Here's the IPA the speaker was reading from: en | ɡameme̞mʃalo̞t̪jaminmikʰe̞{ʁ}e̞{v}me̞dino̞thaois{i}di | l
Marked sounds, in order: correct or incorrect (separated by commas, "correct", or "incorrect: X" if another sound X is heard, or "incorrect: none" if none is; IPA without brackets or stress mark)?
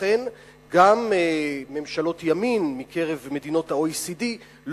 correct, correct, correct